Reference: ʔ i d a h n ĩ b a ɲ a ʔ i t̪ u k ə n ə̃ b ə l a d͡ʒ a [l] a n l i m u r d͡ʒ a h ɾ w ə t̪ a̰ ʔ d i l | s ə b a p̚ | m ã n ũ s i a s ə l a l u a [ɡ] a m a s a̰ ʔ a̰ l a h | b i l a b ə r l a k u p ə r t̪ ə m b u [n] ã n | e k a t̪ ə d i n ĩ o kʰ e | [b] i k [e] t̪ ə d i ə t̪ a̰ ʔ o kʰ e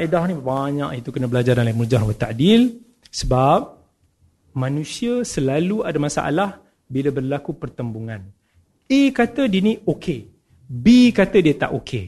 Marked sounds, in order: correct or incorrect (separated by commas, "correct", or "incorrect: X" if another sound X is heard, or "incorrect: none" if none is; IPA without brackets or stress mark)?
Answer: incorrect: ɾ, incorrect: d, incorrect: ŋ, correct, incorrect: a